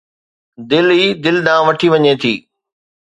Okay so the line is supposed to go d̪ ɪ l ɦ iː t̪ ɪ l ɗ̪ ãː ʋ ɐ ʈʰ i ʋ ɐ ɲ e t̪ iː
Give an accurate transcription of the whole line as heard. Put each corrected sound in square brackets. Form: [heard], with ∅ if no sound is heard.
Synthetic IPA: d̪ ɪ l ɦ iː [d̪] ɪ l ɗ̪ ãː ʋ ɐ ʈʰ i ʋ ɐ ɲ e [t̪ʰ] iː